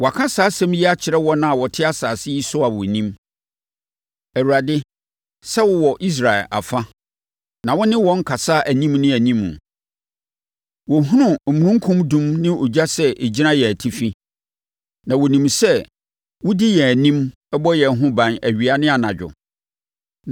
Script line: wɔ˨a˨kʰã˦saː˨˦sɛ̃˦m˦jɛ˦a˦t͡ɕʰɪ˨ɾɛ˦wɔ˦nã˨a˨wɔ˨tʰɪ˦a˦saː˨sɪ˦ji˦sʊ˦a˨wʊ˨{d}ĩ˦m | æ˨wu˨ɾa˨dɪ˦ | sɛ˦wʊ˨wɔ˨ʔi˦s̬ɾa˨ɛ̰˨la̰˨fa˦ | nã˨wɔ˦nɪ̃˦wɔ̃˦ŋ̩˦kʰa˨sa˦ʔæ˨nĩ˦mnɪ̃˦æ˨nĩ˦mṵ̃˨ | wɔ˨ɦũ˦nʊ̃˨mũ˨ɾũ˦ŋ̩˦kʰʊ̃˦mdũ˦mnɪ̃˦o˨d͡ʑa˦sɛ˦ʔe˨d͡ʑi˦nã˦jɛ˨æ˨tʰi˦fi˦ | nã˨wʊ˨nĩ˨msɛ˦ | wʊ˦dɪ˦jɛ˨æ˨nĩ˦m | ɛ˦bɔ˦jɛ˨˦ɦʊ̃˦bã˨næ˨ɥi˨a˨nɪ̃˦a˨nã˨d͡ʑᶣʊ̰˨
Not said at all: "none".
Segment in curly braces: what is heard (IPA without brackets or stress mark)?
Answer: n